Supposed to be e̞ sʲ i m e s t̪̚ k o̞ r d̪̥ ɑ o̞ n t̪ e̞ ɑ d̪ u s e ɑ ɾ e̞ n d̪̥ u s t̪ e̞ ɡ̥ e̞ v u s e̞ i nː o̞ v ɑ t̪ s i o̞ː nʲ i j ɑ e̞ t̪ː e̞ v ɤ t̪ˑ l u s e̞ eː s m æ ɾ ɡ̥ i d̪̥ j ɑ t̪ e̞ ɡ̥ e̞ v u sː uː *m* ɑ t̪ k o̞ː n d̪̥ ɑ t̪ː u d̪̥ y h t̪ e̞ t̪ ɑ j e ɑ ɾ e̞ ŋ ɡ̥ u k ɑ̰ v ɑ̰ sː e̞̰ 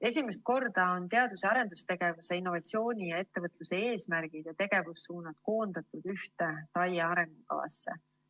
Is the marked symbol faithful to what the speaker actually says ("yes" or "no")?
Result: no